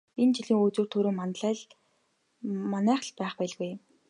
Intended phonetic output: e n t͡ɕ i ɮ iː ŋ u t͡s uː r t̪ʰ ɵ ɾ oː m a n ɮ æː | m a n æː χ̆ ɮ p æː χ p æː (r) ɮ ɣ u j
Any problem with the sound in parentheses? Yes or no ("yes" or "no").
yes